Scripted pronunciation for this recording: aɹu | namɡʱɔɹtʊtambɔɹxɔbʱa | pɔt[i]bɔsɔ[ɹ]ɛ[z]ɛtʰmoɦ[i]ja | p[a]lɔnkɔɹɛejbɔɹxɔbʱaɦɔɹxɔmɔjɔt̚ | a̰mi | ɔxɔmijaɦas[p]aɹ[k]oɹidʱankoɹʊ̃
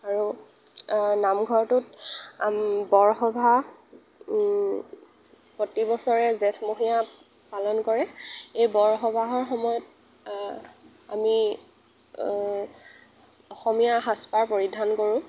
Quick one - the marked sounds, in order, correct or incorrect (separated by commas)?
correct, correct, correct, correct, correct, correct, incorrect